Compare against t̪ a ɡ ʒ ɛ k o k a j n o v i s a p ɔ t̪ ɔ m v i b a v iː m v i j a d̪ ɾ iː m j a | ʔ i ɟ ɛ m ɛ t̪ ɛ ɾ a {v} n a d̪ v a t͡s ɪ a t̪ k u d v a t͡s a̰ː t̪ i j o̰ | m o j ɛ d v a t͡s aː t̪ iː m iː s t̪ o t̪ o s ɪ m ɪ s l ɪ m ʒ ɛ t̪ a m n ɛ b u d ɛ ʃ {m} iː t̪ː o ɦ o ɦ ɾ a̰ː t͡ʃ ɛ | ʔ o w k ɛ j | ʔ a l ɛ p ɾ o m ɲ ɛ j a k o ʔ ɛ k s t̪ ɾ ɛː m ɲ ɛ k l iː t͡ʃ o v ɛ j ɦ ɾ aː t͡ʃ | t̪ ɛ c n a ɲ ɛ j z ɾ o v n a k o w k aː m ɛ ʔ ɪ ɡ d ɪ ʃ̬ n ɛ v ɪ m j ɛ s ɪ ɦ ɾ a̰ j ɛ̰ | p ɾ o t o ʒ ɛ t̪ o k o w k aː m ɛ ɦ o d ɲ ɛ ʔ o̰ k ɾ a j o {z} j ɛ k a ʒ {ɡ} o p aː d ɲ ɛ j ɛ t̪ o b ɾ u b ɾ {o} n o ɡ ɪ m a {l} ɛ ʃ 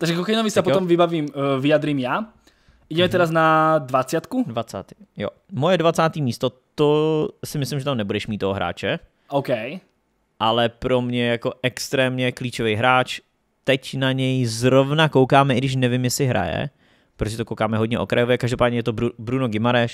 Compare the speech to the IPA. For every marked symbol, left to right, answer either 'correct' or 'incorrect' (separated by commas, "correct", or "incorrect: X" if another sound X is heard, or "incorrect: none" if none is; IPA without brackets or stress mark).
incorrect: z, correct, incorrect: v, incorrect: d, incorrect: u, incorrect: ɾ